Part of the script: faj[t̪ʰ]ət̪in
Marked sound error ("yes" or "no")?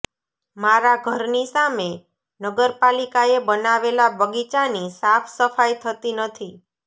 no